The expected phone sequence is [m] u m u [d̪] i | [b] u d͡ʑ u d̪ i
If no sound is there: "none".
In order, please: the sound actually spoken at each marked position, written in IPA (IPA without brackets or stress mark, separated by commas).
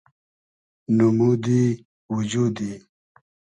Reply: n, d̪, w